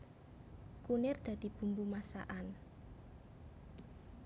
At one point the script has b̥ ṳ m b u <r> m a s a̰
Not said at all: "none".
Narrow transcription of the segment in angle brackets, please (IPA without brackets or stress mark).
none